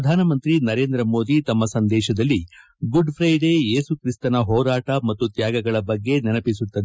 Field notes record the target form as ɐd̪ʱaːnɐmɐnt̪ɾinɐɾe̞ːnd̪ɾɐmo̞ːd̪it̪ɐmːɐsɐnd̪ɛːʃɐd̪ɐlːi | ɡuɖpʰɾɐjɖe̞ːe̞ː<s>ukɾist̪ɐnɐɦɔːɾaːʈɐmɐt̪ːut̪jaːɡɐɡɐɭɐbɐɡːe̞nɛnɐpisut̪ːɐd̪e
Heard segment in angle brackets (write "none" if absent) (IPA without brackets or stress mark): s